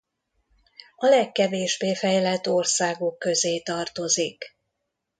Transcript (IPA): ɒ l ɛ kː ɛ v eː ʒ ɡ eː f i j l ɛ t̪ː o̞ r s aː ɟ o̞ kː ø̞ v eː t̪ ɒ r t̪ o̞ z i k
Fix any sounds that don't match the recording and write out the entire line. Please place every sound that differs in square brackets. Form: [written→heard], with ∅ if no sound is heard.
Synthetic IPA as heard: ɒ l ɛ kː ɛ v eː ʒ [ɡ→b] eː f [i→ɛ] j l ɛ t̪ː o̞ r s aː [ɟ→ɡ] o̞ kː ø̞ [v→z] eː t̪ ɒ r t̪ o̞ z i k